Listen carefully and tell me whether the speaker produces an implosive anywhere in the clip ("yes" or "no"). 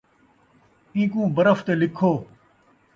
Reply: no